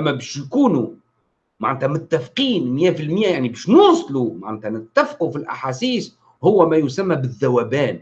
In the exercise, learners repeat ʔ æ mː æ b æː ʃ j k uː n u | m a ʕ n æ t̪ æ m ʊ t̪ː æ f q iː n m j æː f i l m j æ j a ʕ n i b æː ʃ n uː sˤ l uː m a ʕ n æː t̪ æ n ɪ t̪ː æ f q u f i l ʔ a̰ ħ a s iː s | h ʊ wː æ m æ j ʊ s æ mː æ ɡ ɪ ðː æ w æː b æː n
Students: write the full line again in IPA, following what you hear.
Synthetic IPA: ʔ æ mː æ b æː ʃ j k uː n u | m a ʕ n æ t̪ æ m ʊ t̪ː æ f q iː n m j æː f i l m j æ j a ʕ n i b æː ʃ n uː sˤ l u m a ʕ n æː t̪ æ n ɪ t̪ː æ f q u f i l ʔ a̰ ħ a s iː s | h ʊ wː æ m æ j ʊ s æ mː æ b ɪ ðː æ w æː b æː n